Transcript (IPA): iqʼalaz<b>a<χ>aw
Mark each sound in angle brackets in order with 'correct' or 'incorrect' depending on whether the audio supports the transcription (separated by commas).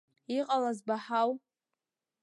correct, incorrect